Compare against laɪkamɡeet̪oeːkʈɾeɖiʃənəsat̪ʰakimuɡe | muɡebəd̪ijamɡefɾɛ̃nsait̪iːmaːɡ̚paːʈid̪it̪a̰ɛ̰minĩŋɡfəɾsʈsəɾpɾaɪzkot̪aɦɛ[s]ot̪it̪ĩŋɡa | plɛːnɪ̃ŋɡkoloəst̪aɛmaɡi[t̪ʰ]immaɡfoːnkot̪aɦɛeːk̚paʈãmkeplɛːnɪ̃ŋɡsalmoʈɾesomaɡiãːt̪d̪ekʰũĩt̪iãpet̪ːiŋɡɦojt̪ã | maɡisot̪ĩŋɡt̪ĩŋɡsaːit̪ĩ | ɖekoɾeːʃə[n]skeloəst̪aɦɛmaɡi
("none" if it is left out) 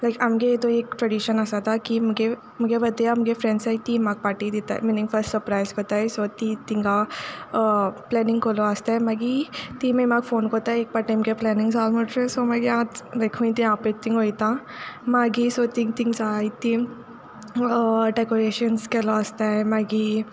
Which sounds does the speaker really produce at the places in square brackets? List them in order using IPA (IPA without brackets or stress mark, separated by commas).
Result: s, t̪, n